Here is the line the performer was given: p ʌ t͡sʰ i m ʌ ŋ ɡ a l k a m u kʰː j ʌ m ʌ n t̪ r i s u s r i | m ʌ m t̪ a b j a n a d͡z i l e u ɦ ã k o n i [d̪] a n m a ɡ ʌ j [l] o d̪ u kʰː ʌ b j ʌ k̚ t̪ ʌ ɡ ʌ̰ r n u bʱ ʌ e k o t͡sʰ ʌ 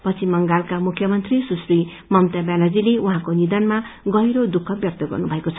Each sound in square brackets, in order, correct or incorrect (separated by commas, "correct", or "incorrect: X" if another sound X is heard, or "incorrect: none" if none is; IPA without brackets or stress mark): correct, incorrect: ɾ